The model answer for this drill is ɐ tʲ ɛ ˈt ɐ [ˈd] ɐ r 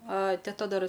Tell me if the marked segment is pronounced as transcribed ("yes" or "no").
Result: yes